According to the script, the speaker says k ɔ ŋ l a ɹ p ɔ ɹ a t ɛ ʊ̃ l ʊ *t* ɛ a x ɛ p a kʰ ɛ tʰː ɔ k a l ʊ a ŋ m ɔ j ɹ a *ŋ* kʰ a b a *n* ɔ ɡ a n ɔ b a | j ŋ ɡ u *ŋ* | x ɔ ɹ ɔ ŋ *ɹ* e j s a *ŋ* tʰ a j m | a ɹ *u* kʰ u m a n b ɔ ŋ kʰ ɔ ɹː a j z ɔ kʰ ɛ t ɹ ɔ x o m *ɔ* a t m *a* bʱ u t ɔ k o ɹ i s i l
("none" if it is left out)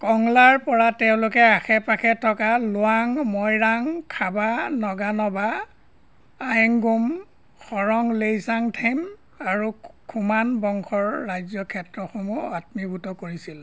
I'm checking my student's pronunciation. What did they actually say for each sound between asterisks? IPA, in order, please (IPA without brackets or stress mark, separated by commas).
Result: k, ŋ, n, m, l, ŋ, u, u, i